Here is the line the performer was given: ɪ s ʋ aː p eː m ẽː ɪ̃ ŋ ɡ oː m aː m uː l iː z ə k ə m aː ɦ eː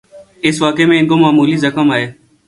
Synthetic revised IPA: ɪ s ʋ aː k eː m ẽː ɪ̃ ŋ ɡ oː m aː m uː l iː z ə k ə m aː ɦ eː